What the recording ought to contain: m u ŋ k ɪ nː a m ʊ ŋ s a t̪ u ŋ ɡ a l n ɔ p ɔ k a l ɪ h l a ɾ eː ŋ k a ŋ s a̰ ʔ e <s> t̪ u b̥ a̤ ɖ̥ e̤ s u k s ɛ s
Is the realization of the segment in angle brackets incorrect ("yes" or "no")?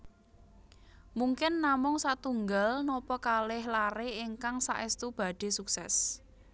no